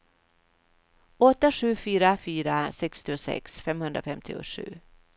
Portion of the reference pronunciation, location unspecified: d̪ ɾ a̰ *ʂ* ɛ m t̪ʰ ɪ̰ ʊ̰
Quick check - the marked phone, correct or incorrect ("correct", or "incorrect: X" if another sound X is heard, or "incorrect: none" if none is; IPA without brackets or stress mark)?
incorrect: f